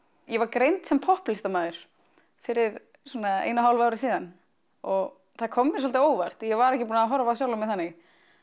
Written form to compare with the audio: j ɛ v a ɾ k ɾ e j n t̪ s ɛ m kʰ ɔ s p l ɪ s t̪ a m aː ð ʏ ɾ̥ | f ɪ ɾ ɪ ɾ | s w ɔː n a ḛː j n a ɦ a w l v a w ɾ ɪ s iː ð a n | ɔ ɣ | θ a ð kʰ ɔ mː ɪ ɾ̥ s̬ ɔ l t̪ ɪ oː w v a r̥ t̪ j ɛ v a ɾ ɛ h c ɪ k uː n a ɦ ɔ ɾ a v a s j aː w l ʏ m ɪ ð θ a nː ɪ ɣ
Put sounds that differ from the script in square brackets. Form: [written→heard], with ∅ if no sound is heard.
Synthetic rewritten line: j ɛ v a ɾ k ɾ e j n t̪ s ɛ m [kʰ→pʰ] ɔ [s→h] p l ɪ s t̪ a m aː ð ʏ ɾ̥ | f ɪ ɾ ɪ ɾ | s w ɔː n a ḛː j n a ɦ a w l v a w ɾ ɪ s iː ð a n | ɔ ɣ | θ a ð kʰ ɔ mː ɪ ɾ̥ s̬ ɔ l t̪ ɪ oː w v a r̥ t̪ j ɛ v a ɾ ɛ h c ɪ [k→p] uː n a ɦ ɔ ɾ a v a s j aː w l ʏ m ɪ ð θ a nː ɪ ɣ

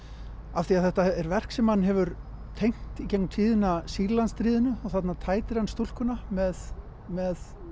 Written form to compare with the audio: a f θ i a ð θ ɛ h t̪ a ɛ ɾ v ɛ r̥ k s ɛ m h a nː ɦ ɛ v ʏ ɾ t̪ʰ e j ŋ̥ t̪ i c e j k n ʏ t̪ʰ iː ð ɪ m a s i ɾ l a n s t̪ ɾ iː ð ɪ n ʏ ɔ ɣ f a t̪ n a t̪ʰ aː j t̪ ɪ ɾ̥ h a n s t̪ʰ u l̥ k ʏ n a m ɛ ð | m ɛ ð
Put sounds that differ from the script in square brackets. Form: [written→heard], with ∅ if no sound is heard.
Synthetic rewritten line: a f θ i a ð θ ɛ h t̪ a ɛ ɾ v ɛ r̥ k s ɛ m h a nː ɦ ɛ v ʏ ɾ t̪ʰ e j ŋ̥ t̪ i c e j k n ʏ t̪ʰ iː ð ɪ [m→n] a s i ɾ l a n s t̪ ɾ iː ð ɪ n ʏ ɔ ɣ [f→θ] a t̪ n a t̪ʰ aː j t̪ ɪ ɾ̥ h a n s [t̪ʰ→t̪] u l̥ k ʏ n a m ɛ ð | m ɛ ð

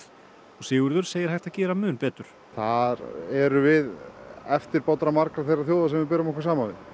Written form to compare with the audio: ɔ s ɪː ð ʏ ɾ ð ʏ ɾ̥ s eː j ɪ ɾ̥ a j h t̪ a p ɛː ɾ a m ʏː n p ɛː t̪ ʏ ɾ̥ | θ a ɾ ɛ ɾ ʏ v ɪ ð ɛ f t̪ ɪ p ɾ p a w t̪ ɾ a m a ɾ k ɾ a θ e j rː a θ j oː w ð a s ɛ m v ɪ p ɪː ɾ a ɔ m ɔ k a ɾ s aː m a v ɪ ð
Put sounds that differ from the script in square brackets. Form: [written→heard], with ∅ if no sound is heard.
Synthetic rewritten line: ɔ s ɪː [ð→ɣ] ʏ ɾ ð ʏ ɾ̥ s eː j ɪ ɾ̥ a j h t̪ a [p→c] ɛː ɾ a m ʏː n p ɛː t̪ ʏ ɾ̥ | θ a ɾ ɛ ɾ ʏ v ɪ ð ɛ f t̪ ɪ [p→∅] ɾ p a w t̪ ɾ a m a ɾ k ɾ a θ e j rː a θ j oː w ð a s ɛ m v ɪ p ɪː ɾ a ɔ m ɔ k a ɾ s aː m a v ɪ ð

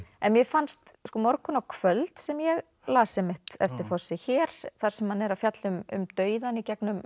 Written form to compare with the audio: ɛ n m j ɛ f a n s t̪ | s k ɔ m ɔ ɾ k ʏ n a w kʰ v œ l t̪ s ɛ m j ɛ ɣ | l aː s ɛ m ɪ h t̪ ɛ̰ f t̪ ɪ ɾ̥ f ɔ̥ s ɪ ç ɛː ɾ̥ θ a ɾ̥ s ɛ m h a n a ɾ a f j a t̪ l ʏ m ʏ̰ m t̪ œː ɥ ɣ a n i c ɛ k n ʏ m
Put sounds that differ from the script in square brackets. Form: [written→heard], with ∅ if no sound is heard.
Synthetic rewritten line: ɛ n m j ɛ f a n s t̪ | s k ɔ m ɔ ɾ k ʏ n a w kʰ v œ l t̪ s ɛ m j ɛ ɣ | l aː s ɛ m ɪ h t̪ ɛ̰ f t̪ ɪ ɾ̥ f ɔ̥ s ɪ ç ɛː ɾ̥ θ a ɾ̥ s ɛ m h a n [a→ɛ] ɾ a f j a t̪ l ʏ m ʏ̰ m t̪ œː ɥ [ɣ→ð] a n i c ɛ k n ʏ m

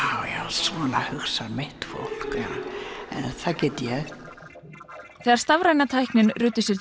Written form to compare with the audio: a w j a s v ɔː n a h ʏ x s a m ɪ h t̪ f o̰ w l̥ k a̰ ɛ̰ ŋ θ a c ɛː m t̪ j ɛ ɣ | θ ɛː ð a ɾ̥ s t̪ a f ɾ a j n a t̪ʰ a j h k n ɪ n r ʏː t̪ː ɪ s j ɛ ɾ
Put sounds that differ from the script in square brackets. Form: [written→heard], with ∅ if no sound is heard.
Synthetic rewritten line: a w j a s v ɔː n a h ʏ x s a m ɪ h t̪ f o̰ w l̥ k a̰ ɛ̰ [ŋ→n] θ a c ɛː [m→∅] t̪ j ɛ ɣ | θ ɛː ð a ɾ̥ s t̪ a [f→v] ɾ a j n a t̪ʰ a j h k n ɪ n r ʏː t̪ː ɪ s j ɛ ɾ

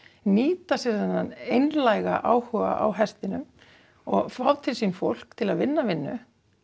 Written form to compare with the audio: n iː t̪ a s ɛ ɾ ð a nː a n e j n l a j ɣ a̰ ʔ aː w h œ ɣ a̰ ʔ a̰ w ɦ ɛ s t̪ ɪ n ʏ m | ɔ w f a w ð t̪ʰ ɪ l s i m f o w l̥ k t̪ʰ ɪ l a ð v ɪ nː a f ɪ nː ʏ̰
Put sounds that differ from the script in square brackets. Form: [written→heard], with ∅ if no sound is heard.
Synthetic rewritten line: n iː t̪ a s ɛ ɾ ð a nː a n e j n l a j ɣ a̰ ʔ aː w h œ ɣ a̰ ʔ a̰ w ɦ ɛ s t̪ ɪ n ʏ m | ɔ [w→ɣ] f a w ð t̪ʰ ɪ l s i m f o w l̥ k t̪ʰ ɪ l a ð v ɪ nː a [f→v] ɪ nː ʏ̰

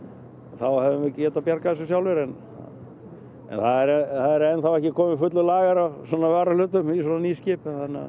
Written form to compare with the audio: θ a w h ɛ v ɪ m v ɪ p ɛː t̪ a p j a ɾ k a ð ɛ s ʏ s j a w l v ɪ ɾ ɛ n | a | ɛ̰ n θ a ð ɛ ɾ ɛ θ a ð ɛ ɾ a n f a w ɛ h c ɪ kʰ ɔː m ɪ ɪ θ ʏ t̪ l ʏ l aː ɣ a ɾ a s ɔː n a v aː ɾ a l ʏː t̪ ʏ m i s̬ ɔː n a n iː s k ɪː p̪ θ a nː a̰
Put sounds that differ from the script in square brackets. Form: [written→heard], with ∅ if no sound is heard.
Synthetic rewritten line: θ a w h ɛ v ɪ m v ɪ [p→c] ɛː t̪ a p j a ɾ k a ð ɛ s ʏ s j a w l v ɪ ɾ ɛ n | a | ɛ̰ n θ a ð ɛ ɾ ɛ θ a ð ɛ ɾ [a→ɛ] n [f→θ] a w ɛ h c ɪ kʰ ɔː m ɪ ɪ [θ→f] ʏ t̪ l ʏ l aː ɣ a ɾ a s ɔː n a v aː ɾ a l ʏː t̪ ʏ m i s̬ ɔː n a n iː s [k→c] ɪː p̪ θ a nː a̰

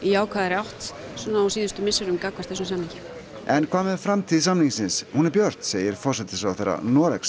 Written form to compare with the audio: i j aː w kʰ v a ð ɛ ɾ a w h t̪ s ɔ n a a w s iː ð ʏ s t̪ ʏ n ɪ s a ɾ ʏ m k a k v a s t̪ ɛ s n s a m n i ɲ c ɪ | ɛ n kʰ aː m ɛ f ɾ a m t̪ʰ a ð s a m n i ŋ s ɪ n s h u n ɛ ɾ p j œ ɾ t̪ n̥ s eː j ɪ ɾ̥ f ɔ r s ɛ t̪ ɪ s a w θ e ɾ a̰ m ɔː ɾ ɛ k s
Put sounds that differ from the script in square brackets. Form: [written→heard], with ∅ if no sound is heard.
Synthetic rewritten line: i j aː w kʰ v a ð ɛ ɾ a w h t̪ s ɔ n a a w s iː ð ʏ s t̪ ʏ [n→m] ɪ s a ɾ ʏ m k a k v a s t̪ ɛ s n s a m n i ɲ c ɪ | ɛ n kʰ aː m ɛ f ɾ a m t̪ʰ [a→i] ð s a m n i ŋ s ɪ n s h u n ɛ ɾ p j œ ɾ t̪ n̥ s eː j ɪ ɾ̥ f ɔ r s ɛ t̪ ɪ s a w θ e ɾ a̰ [m→n] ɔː ɾ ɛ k s

